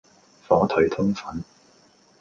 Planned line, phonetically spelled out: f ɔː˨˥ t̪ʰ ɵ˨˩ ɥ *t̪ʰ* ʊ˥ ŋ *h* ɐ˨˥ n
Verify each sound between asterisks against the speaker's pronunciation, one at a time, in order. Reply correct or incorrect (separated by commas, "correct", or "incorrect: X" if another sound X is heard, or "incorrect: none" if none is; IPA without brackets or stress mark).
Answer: correct, incorrect: f